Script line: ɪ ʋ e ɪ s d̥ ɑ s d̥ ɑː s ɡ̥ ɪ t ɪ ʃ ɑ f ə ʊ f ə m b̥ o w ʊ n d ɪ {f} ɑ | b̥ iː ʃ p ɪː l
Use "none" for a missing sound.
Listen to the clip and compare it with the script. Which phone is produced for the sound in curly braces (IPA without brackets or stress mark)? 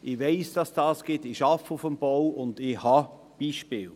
h